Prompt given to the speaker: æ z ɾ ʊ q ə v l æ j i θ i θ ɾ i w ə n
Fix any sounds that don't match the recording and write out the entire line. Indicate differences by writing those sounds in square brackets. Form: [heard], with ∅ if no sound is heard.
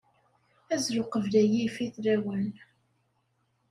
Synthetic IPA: æ z ɾ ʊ q ə v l æ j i [f] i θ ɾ [æ] w ə n

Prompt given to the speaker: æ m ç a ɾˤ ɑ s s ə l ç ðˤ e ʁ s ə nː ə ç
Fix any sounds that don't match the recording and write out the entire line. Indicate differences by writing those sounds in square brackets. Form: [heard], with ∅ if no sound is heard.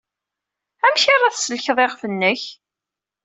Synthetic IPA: æ m ç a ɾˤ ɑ [θ] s ə l ç ðˤ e ʁ [f] ə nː ə ç

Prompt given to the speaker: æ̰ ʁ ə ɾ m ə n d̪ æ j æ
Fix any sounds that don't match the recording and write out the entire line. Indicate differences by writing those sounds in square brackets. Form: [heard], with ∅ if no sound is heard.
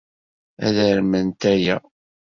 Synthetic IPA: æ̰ [ð] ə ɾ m ə n [t̪] æ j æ

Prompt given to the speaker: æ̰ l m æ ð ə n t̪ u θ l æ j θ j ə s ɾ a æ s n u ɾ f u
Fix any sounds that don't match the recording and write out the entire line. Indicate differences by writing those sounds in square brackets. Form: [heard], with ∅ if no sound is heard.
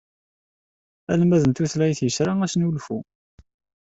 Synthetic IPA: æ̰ l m æ ð ə n t̪ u θ l æ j θ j ə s ɾ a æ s n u [l] f u

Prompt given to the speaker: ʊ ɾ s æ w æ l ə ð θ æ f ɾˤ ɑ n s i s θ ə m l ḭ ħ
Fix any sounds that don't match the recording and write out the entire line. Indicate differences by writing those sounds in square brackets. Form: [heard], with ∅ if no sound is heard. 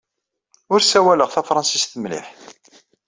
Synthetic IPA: ʊ ɾ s æ w æ l ə [ʁ] θ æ f ɾˤ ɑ n s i s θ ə m l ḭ ħ

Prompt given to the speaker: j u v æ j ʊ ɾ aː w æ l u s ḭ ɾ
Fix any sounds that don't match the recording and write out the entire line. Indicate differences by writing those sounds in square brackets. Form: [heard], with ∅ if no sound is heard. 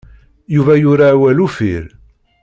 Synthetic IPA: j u v æ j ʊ ɾ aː w æ l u [f] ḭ ɾ

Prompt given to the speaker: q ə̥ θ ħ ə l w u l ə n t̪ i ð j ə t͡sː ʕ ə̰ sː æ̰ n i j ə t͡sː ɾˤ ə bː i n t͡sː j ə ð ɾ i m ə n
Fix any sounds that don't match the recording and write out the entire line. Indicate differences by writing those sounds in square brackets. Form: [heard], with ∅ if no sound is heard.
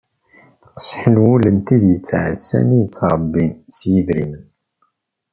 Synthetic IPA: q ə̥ [s] ħ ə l w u l ə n t̪ i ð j ə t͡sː ʕ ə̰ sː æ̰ n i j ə t͡sː ɾˤ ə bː i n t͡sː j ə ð ɾ i m ə n

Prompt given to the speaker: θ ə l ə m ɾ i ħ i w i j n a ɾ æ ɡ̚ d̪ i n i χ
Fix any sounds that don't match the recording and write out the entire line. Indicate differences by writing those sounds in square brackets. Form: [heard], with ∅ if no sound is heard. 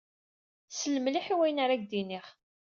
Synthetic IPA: [s] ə l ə m [l] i ħ i w [æ] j n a ɾ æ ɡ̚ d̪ i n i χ

